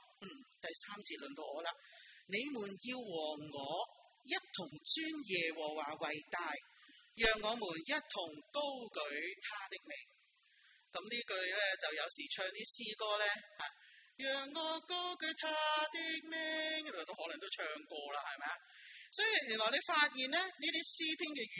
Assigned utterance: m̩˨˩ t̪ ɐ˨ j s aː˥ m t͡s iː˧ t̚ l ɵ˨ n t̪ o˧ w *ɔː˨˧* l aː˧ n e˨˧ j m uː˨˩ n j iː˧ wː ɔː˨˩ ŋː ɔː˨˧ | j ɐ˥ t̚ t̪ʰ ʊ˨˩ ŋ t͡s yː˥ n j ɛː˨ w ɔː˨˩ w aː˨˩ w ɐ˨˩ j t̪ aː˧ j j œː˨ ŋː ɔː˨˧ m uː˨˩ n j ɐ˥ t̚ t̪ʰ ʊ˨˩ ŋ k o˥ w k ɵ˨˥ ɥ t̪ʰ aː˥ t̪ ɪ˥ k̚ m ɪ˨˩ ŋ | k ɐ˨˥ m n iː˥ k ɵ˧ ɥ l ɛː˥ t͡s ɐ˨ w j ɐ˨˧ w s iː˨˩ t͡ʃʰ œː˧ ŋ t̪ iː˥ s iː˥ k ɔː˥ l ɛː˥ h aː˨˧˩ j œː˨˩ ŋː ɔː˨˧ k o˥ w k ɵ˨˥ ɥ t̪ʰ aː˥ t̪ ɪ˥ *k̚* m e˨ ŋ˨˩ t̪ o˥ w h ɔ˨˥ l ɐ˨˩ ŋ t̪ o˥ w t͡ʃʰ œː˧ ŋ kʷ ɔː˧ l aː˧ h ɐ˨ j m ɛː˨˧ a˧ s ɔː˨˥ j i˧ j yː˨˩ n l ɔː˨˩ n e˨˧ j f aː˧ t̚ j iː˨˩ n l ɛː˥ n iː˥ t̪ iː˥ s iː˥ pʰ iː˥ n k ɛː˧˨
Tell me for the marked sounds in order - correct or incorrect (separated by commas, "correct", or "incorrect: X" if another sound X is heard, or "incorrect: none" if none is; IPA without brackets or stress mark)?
correct, correct